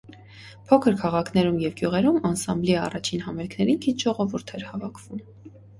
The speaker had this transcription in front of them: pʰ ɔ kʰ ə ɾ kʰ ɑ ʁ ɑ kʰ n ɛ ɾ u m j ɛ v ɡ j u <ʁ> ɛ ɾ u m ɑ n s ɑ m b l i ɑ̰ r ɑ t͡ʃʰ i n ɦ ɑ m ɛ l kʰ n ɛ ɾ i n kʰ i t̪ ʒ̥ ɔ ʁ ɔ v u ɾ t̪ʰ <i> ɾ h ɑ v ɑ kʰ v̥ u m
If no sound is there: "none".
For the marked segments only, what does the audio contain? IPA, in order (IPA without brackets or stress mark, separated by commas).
ʁ, ɛ